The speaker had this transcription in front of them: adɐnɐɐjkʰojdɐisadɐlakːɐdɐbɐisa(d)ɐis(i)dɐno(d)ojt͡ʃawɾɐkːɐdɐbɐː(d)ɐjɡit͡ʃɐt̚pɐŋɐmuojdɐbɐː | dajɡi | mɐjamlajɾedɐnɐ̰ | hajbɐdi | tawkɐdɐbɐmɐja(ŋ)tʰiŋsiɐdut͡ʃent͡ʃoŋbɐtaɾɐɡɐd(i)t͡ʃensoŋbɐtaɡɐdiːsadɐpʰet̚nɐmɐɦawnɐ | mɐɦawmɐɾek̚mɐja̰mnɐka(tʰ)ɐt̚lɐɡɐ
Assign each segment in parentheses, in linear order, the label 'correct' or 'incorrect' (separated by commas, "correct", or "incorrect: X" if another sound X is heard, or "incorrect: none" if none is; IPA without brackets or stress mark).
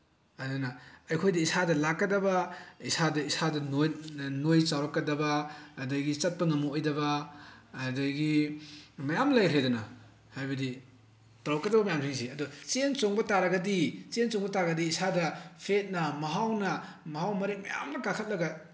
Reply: correct, incorrect: a, incorrect: n, correct, incorrect: m, correct, incorrect: kʰ